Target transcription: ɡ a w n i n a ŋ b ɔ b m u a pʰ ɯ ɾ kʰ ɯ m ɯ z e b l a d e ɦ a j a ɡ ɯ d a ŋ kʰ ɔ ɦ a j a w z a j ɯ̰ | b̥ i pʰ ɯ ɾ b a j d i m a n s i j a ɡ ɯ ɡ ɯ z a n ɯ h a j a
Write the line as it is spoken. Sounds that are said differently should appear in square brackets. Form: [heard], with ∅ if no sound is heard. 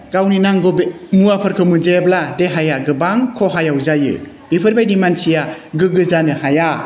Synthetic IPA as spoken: ɡ a w n i n a ŋ [ɡ] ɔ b m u a pʰ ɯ ɾ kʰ ɯ m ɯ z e b l a d e ɦ a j a ɡ ɯ [b] a ŋ kʰ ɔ ɦ a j a w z a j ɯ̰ | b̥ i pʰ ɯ ɾ b a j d i m a n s i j a ɡ ɯ ɡ ɯ z a n ɯ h a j a